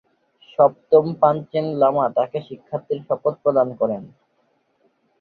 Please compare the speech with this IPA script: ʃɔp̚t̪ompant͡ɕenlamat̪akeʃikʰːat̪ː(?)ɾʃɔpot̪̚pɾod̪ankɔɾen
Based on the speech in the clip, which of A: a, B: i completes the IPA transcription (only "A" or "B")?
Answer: B